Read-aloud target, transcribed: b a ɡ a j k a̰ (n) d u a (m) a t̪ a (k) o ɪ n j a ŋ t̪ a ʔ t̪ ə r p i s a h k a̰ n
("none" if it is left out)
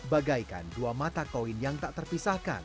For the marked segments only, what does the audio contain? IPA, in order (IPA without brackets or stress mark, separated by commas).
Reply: n, m, k